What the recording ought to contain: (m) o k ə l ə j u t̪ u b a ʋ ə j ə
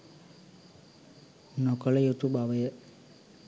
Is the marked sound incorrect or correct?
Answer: incorrect